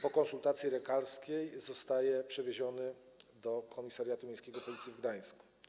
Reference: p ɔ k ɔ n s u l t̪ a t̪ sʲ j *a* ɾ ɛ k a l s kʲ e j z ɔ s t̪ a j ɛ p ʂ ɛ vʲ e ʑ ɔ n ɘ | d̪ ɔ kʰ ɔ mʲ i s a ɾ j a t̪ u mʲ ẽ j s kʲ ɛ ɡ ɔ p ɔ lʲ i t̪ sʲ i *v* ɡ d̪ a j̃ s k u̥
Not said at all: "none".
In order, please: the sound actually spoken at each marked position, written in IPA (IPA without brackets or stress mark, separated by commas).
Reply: i, v